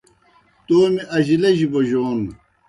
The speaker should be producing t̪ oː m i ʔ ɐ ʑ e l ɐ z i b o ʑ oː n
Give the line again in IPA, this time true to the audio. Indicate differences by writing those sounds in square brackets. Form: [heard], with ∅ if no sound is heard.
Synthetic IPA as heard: t̪ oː m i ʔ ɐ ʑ [i] l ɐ [ʑ] i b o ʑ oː n